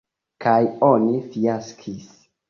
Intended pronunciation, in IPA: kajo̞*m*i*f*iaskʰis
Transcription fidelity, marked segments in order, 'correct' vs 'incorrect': incorrect: n, correct

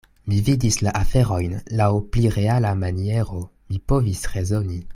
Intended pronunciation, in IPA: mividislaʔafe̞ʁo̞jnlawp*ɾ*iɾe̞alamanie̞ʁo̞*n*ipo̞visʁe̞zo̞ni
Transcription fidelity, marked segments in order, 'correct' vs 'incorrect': incorrect: l, incorrect: m

